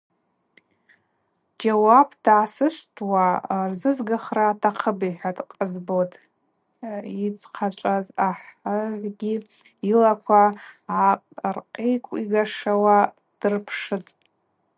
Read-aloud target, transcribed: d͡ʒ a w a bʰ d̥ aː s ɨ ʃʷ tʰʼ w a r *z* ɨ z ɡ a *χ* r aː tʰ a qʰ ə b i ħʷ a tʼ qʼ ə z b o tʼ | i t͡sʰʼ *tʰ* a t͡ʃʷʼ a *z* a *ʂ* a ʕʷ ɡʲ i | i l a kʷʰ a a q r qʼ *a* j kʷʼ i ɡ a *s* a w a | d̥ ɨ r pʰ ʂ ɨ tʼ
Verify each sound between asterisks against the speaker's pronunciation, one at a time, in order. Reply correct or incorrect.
correct, correct, incorrect: qʰ, correct, incorrect: ħ, incorrect: e, incorrect: ʂ

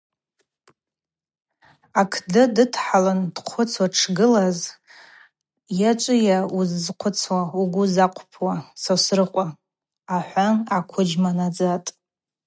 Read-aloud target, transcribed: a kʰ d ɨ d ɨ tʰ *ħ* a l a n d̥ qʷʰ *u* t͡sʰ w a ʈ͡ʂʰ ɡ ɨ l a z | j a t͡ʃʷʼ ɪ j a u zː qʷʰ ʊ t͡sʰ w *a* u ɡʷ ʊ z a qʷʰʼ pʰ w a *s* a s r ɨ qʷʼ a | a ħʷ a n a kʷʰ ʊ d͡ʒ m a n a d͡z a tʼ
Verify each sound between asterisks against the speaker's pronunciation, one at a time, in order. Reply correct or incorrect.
correct, incorrect: ʊ, correct, correct

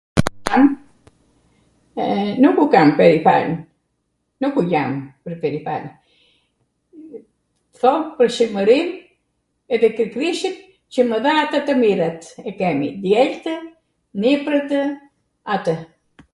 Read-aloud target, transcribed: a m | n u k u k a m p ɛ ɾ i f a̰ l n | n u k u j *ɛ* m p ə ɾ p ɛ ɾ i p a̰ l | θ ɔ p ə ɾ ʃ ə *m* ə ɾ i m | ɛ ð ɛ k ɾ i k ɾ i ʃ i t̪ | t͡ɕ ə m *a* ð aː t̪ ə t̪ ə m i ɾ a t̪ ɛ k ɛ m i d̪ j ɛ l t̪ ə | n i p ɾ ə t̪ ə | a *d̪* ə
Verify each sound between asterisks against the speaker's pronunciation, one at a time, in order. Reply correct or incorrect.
incorrect: a, correct, incorrect: ə, incorrect: t̪

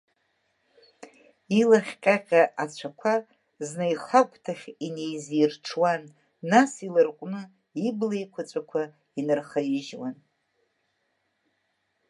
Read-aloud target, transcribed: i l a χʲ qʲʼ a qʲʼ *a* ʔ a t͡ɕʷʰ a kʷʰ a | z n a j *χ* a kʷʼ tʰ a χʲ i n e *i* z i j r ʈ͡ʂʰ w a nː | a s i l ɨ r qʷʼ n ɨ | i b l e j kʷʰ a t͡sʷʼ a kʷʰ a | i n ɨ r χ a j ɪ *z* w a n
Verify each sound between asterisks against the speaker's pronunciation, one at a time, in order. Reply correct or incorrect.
correct, correct, incorrect: j, incorrect: ʒ

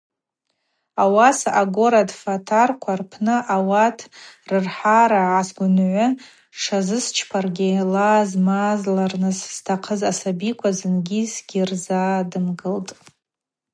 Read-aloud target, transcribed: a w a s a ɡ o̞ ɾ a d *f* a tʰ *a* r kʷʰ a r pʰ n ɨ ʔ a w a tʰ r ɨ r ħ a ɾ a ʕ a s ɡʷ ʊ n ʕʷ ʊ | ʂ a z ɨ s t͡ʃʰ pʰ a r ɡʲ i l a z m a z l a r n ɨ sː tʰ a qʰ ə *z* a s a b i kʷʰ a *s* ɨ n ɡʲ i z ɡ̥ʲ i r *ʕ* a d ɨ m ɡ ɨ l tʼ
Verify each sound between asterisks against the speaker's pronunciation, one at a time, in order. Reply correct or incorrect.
correct, correct, correct, incorrect: z, incorrect: z

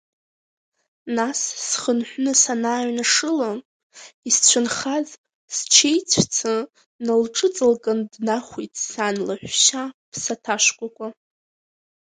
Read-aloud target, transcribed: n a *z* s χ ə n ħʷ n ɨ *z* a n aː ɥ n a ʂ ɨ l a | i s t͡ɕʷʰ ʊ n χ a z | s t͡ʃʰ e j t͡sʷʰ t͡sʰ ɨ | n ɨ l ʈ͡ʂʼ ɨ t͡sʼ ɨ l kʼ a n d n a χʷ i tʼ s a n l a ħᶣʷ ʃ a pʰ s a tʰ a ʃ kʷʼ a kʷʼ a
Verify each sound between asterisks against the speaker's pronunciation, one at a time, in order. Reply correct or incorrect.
incorrect: s, incorrect: s

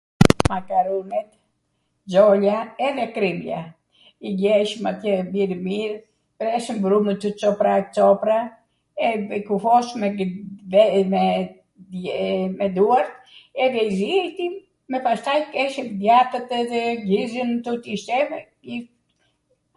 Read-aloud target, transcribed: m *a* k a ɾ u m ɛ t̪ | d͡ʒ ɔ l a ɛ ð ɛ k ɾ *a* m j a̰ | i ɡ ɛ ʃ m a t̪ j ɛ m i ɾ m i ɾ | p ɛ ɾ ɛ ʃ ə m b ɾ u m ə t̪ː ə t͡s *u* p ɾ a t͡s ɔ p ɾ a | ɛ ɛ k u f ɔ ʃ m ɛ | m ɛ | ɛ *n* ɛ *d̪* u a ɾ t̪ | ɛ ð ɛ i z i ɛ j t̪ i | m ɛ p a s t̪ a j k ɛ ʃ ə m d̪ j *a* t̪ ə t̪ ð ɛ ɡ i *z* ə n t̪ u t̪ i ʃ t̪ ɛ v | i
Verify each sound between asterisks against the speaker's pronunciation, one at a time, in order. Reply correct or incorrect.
correct, incorrect: i, incorrect: ɔ, incorrect: m, correct, correct, correct

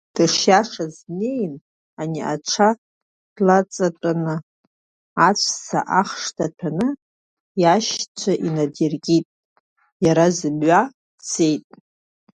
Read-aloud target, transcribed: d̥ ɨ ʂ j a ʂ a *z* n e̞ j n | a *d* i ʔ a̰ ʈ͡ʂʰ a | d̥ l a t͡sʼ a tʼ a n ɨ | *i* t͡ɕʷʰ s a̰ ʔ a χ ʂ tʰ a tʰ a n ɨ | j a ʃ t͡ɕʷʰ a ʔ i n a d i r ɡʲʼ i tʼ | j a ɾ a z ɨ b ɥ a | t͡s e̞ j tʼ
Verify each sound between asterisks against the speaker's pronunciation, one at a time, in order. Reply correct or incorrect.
correct, incorrect: n, incorrect: a

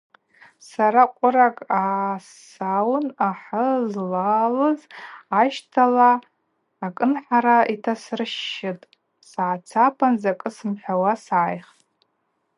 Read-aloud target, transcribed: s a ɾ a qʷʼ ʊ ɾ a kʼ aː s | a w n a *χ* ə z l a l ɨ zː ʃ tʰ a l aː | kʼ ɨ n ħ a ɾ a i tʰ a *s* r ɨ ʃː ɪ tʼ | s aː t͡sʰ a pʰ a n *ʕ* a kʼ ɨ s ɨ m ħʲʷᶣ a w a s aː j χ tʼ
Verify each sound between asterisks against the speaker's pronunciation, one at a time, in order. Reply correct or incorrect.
incorrect: ħ, correct, incorrect: z

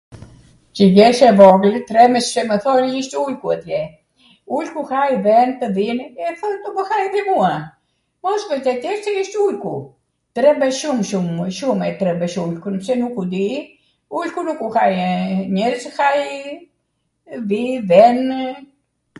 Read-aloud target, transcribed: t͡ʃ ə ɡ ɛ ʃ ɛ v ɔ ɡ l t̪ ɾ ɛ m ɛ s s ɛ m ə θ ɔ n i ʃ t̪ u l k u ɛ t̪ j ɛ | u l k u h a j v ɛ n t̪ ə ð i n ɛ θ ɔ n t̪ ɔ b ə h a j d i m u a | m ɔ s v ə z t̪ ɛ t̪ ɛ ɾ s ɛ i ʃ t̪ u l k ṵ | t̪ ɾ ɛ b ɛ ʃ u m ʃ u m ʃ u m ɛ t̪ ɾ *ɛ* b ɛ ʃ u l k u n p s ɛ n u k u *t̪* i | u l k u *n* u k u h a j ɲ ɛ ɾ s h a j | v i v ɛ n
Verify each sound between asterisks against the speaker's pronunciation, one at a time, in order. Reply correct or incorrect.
correct, incorrect: d̪, correct

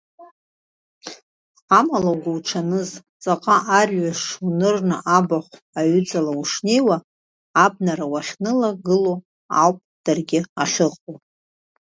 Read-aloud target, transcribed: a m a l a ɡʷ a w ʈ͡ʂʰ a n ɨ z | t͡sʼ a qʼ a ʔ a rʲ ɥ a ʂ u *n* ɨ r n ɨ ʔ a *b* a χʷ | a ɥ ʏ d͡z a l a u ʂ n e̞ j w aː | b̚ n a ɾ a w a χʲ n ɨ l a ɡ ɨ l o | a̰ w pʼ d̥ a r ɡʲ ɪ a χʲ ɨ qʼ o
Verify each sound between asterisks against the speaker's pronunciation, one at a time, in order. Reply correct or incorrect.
correct, correct

